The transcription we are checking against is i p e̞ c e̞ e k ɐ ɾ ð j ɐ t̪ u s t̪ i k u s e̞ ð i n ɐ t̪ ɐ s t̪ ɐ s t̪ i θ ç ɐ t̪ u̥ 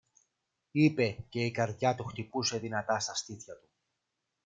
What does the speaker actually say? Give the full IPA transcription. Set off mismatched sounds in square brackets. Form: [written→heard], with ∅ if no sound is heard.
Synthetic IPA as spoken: i p e̞ c e̞ [e→i] k ɐ ɾ ð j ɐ t̪ u [s→x] t̪ i [k→p] u s e̞ ð i n ɐ t̪ ɐ s t̪ ɐ s t̪ i θ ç ɐ t̪ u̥